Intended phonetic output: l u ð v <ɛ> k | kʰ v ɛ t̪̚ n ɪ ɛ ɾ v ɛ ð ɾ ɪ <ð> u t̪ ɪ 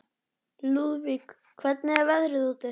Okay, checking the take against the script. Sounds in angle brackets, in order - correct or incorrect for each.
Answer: incorrect: i, correct

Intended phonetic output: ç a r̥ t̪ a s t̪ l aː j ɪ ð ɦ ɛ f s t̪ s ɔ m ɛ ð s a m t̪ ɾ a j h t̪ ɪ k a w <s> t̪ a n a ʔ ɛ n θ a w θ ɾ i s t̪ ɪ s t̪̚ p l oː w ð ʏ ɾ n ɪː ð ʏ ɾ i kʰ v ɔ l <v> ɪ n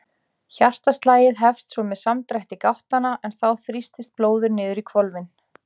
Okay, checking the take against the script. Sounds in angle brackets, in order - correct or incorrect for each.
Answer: incorrect: h, correct

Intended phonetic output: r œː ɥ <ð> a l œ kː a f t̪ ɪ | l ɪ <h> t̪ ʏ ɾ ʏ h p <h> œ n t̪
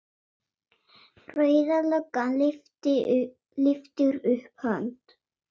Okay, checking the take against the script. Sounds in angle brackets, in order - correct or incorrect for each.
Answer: correct, incorrect: f, correct

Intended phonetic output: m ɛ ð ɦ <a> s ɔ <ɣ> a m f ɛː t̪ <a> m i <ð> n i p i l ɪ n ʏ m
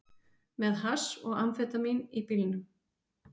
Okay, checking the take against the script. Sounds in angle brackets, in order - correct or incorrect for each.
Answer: correct, correct, correct, incorrect: none

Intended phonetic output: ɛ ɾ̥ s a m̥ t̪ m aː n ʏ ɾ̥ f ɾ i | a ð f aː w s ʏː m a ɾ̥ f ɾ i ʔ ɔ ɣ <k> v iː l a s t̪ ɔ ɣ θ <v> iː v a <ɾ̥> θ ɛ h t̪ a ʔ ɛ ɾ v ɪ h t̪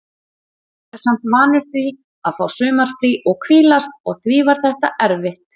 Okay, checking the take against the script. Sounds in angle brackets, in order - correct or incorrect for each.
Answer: incorrect: kʰ, correct, correct

